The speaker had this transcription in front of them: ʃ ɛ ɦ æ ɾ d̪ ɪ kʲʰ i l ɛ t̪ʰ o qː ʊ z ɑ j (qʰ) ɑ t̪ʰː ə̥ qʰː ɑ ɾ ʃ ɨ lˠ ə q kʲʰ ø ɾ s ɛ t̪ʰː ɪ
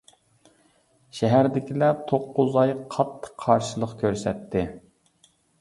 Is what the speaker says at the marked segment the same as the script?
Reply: yes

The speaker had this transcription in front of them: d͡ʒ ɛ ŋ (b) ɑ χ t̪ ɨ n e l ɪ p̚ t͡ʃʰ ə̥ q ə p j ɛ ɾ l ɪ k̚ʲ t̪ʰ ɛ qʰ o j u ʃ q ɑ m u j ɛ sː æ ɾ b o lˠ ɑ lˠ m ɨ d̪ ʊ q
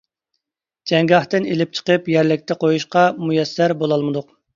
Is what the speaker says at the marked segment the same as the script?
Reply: no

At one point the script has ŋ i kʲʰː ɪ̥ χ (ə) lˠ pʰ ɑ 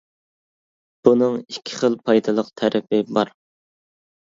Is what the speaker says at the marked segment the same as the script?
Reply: yes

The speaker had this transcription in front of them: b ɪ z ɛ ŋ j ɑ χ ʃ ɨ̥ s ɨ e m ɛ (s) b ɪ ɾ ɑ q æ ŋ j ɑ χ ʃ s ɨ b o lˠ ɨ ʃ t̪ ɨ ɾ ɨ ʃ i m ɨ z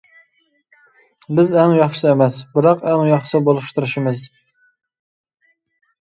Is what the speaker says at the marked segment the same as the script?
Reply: yes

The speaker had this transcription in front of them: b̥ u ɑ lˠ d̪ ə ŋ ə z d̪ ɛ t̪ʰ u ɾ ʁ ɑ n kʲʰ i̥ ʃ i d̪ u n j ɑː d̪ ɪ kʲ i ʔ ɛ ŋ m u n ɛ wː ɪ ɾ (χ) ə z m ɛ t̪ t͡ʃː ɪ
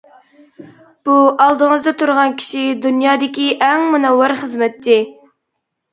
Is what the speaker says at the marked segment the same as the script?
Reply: yes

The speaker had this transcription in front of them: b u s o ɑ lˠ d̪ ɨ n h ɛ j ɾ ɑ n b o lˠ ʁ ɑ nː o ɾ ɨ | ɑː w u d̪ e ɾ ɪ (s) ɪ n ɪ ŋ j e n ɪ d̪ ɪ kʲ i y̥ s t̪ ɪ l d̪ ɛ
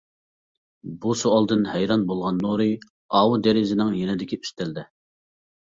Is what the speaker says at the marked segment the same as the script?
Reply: no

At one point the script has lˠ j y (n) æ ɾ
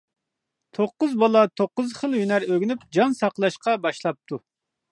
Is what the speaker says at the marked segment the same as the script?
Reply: yes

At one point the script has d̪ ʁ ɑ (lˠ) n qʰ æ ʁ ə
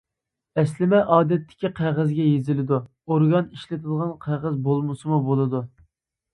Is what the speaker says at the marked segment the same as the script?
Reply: no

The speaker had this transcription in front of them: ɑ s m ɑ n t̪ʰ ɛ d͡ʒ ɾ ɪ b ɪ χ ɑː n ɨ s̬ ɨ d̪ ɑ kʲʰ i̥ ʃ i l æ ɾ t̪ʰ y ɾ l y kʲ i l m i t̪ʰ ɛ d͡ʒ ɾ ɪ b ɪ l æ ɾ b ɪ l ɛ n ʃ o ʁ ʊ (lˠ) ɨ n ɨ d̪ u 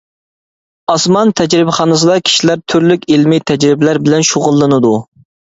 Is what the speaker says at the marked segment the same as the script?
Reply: no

